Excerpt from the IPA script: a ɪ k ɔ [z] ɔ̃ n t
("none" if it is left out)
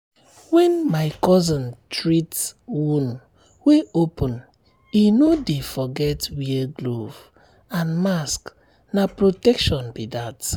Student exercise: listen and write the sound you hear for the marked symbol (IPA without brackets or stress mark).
z